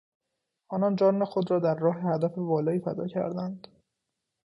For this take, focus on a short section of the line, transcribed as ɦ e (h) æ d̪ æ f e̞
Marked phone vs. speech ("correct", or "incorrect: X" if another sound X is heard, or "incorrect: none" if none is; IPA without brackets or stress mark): correct